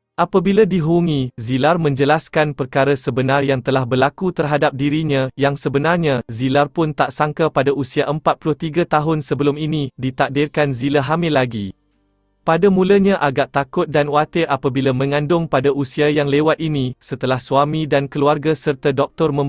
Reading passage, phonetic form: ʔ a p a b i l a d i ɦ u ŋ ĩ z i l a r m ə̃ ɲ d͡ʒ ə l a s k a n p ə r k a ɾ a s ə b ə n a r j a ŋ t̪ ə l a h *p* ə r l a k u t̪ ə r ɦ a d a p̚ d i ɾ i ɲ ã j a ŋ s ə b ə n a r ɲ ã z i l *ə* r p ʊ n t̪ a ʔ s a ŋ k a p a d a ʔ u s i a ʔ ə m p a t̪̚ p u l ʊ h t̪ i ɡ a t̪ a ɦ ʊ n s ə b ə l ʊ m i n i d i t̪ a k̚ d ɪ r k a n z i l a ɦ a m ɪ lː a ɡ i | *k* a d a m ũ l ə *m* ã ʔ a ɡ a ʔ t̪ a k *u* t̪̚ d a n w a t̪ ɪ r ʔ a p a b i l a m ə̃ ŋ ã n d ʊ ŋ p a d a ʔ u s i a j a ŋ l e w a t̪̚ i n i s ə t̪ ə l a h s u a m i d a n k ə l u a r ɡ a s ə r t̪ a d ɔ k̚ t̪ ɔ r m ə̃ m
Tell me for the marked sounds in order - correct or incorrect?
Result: incorrect: b, incorrect: a, incorrect: p, incorrect: ɲ, incorrect: ʊ

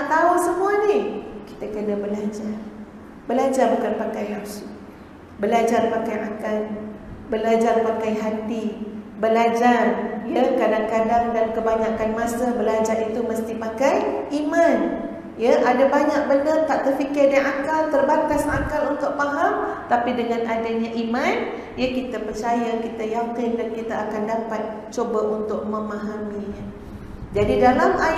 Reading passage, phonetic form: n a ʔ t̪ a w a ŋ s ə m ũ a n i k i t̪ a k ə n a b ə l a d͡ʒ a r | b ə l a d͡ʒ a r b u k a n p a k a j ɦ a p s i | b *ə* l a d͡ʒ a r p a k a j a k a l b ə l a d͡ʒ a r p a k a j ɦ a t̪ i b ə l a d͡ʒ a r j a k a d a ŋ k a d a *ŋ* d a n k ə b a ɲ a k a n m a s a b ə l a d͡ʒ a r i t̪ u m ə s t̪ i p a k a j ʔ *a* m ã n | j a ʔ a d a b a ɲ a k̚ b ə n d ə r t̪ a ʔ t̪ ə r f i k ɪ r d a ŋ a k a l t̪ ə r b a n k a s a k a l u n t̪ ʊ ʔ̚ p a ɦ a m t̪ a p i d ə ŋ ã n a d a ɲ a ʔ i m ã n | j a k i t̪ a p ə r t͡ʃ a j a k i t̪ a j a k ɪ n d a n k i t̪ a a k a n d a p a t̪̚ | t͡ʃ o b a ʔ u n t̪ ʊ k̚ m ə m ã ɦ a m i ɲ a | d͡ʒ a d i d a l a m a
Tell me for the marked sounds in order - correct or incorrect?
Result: correct, correct, incorrect: i

